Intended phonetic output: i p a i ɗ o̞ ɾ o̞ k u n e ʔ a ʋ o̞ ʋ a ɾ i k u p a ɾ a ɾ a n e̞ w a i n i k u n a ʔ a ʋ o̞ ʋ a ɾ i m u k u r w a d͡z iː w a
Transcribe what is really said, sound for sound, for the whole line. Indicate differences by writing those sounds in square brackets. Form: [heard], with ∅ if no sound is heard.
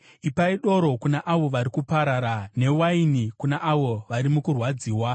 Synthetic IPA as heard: i p a i ɗ o̞ ɾ o̞ k u n [a] ʔ a ʋ o̞ ʋ a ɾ i k u p a ɾ a ɾ a n e̞ w a i n i k u n a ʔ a ʋ o̞ ʋ a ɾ i m u k u r w a d͡z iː w a